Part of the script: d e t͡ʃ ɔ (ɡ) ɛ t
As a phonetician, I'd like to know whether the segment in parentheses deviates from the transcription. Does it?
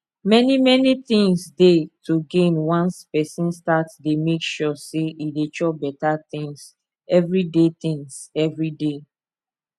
yes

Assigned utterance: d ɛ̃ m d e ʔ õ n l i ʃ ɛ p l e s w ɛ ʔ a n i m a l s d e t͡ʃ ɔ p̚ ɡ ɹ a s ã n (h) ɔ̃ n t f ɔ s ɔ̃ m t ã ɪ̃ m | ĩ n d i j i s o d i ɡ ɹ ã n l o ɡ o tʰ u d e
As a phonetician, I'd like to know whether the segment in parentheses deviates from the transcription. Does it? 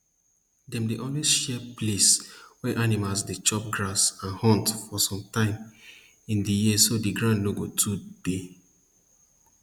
no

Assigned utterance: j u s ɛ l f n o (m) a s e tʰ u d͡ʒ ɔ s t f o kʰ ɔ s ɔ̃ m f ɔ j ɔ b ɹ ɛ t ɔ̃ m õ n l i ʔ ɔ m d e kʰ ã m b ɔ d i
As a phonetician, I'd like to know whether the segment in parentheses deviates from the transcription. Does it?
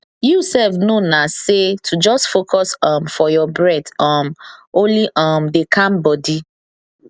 yes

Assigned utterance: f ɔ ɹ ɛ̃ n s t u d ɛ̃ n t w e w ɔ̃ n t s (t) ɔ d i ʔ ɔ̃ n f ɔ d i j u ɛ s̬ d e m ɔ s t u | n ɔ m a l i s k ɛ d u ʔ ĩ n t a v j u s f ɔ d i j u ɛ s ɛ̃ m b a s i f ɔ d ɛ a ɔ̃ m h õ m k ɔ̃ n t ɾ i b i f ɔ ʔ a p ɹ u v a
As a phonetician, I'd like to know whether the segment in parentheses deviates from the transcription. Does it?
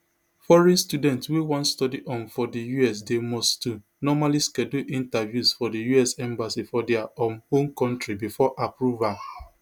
no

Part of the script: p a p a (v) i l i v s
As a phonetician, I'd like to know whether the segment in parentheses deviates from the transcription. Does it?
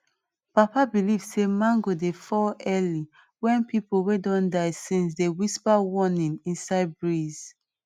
yes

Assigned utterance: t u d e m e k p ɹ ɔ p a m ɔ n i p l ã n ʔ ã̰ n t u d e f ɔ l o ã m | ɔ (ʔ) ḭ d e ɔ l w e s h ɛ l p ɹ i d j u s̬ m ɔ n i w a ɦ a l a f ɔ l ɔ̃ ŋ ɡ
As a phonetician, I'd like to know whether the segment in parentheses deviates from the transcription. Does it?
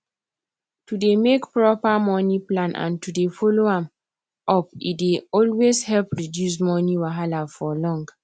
yes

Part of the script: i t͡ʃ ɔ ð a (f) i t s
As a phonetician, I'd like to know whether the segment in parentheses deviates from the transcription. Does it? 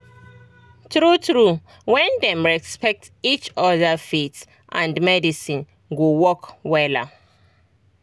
no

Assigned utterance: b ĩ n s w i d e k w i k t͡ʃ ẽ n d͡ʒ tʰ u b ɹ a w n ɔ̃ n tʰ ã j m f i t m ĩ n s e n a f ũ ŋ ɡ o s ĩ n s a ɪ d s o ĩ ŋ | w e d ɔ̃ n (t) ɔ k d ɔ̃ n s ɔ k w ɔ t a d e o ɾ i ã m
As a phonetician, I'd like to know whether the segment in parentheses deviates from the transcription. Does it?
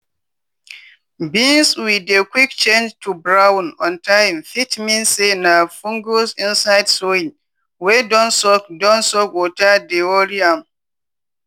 yes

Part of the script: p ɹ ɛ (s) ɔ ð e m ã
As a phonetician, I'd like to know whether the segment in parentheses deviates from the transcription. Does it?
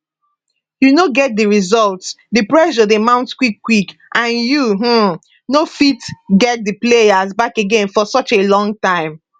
yes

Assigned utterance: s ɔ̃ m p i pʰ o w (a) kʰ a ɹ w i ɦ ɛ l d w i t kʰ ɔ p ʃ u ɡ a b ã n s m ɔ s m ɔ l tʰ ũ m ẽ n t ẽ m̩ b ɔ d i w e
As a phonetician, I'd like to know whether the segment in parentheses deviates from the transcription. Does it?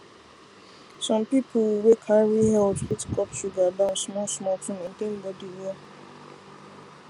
yes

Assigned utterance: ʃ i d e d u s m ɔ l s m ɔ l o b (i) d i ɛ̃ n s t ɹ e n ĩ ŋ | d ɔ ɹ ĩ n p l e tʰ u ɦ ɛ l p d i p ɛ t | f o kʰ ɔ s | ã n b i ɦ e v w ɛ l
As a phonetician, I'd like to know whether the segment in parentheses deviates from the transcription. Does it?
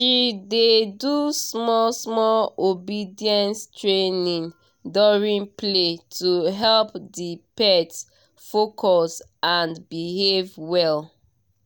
no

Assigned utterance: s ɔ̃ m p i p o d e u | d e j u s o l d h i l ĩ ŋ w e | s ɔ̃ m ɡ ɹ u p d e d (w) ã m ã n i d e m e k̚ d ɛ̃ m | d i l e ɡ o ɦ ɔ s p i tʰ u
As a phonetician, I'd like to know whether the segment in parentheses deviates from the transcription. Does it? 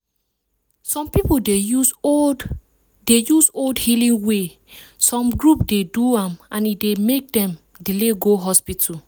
yes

